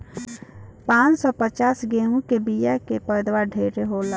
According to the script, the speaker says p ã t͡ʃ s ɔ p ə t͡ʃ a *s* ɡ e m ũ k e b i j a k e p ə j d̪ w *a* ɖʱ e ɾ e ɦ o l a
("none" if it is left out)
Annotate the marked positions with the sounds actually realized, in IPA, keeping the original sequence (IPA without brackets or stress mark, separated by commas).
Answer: s, a